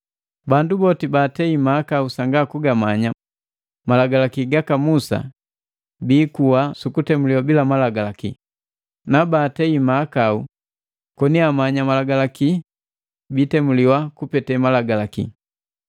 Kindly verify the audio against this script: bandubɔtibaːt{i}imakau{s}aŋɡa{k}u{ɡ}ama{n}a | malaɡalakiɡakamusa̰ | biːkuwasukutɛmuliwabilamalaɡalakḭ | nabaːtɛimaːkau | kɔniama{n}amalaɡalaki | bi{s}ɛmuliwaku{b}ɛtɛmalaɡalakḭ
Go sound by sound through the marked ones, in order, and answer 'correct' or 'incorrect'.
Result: incorrect: ɛ, correct, correct, correct, incorrect: ɲ, incorrect: ɲ, incorrect: t, incorrect: p

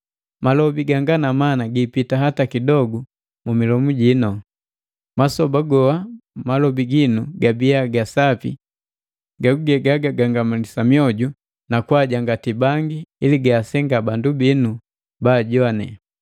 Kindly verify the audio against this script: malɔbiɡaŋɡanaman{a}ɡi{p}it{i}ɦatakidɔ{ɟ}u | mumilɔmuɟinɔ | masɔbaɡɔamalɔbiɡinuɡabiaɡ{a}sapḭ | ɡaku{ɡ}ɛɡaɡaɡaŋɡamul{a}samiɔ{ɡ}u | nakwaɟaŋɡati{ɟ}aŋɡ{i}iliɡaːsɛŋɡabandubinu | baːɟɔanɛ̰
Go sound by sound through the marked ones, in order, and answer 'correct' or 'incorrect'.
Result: correct, correct, incorrect: a, incorrect: ɡ, correct, correct, incorrect: i, incorrect: ɟ, incorrect: b, correct

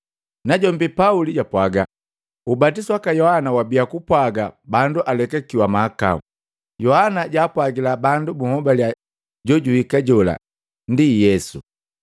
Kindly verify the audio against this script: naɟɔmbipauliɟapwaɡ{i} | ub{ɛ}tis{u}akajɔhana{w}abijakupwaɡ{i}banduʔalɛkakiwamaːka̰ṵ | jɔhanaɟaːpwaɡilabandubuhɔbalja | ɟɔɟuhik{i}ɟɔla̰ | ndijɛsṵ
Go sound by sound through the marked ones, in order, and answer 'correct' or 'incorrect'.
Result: incorrect: a, incorrect: a, incorrect: w, correct, incorrect: a, incorrect: a

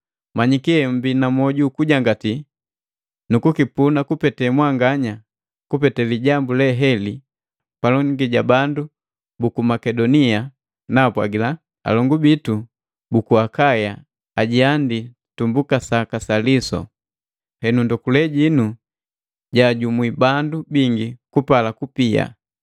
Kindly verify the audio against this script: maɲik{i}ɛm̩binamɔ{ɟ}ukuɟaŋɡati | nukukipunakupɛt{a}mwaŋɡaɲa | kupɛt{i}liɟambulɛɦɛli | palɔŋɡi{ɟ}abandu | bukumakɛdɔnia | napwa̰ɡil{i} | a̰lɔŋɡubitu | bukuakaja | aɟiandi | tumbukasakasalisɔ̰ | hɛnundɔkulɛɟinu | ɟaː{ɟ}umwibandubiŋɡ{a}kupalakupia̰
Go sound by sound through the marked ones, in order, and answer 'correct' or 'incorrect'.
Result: correct, correct, incorrect: ɛ, incorrect: ɛ, correct, incorrect: a, correct, incorrect: i

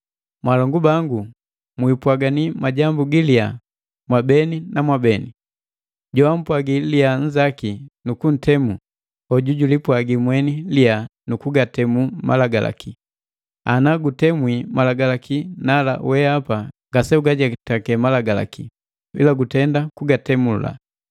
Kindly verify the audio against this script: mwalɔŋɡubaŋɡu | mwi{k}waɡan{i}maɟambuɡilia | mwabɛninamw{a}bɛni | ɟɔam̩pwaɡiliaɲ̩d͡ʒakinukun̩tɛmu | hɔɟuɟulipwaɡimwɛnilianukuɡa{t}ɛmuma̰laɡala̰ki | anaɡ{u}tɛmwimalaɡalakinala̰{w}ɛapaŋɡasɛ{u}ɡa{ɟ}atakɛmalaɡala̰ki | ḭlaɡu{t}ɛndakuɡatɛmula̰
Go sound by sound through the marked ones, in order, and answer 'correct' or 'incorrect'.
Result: incorrect: p, correct, correct, correct, correct, correct, correct, correct, correct

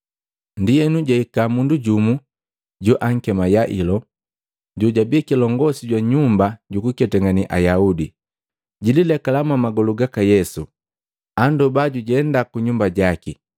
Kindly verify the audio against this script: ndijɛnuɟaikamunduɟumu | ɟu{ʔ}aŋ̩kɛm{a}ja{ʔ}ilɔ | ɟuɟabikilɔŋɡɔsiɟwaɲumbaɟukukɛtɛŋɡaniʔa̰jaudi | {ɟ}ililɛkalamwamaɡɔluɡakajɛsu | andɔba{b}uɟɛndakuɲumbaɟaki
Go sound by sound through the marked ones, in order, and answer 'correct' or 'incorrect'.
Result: correct, correct, correct, correct, incorrect: ɟ

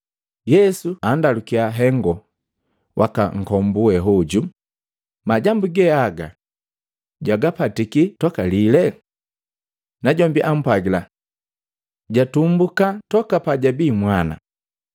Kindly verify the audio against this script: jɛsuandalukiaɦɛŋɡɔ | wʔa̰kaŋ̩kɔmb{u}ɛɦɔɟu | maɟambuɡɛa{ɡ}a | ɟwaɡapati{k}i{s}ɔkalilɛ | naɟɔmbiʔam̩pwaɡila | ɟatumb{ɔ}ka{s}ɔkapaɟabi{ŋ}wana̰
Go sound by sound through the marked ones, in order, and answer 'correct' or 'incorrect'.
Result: correct, correct, correct, incorrect: t, incorrect: u, incorrect: t, incorrect: m

